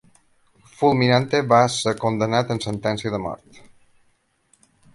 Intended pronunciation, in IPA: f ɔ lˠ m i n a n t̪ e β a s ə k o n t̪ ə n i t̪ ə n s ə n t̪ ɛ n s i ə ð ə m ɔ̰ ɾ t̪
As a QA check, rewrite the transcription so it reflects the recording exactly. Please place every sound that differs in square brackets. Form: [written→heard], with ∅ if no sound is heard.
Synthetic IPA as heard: f [ɔ→u] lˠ m i n a n t̪ e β a s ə k o n [t̪→d̪] ə n [i→a] t̪ ə n s ə n t̪ ɛ n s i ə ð ə m ɔ̰ ɾ t̪

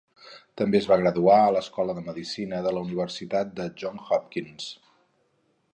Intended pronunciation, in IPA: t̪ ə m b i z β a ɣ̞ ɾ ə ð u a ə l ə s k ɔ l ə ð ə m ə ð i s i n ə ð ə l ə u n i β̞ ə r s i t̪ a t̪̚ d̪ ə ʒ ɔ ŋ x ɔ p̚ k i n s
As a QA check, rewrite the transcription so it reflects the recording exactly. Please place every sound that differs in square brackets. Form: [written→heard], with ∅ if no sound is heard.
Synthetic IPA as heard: t̪ ə m b [i→e] z β a ɣ̞ ɾ ə ð u a ə l ə s k ɔ l ə ð ə m ə ð i s i n ə ð ə l ə u n i β̞ ə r s i t̪ a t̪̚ d̪ ə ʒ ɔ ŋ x ɔ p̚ k i n s

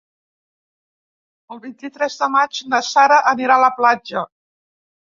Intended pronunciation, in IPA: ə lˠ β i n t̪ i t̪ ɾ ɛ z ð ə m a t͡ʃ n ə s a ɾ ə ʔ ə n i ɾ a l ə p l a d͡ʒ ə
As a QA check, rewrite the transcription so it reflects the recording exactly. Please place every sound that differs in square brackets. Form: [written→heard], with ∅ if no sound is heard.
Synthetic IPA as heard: ə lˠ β i n t̪ i t̪ ɾ ɛ z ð ə m a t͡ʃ n ə s a ɾ ə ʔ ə n i ɾ a l ə p l a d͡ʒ ə

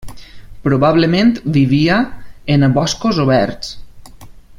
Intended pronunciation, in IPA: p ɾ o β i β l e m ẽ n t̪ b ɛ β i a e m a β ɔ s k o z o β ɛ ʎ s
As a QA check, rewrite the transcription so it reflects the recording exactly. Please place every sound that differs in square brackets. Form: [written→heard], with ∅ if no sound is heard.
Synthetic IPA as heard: p ɾ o β [i→a] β l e m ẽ n t̪ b [ɛ→i] β i a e [m→n] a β ɔ s k o z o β ɛ [ʎ→ɾ] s

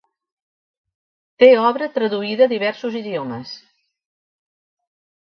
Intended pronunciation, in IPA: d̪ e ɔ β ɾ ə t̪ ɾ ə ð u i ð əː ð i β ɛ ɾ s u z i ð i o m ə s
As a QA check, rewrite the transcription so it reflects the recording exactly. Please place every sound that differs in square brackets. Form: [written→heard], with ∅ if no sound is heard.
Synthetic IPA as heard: [d̪→t̪] e ɔ β ɾ ə t̪ ɾ ə ð u i ð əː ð i β ɛ ɾ s u z i ð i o m ə s

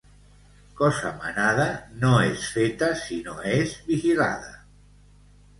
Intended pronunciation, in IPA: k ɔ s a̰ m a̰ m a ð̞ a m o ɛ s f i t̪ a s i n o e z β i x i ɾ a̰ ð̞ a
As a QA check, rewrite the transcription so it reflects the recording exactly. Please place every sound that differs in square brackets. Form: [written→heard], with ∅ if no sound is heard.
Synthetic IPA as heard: k ɔ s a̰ m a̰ [m→n] a ð̞ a [m→n] o [ɛ→e] s f [i→e] t̪ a s i n o e z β i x i [ɾ→l] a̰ ð̞ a

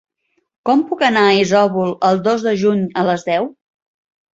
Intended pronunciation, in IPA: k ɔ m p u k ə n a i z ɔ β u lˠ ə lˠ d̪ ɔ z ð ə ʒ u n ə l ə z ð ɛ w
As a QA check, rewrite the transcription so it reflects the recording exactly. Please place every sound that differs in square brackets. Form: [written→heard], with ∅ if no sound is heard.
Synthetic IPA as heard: k ɔ m p u k ə n a i z ɔ β u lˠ ə lˠ d̪ [ɔ→o] z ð ə ʒ u [n→ɲ] ə l ə z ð ɛ w

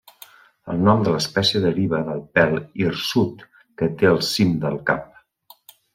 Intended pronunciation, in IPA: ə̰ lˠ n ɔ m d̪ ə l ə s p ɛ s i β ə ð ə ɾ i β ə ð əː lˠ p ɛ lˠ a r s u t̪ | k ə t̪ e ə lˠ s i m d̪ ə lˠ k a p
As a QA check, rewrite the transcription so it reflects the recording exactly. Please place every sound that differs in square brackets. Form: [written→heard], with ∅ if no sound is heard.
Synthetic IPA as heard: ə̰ lˠ n ɔ m d̪ ə l ə s p ɛ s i [β→∅] ə ð ə ɾ i β ə ð [əː→ə] lˠ p ɛ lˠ [a→i] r s u t̪ | k ə t̪ e ə lˠ s i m d̪ ə lˠ k a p

